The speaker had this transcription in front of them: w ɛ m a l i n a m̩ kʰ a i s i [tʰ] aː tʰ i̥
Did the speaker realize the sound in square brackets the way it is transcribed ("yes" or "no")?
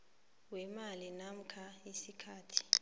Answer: no